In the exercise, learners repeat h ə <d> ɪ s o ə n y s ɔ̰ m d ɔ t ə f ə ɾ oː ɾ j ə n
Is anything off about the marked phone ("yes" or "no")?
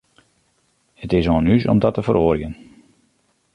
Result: yes